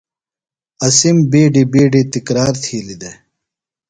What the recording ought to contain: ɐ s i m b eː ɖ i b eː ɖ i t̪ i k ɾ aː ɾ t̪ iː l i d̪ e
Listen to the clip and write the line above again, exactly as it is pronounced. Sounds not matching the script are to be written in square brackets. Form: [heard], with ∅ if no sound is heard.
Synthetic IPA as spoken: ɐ s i m b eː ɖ i b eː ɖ i t̪ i k ɾ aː ɾ [t̪ʰ] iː l i d̪ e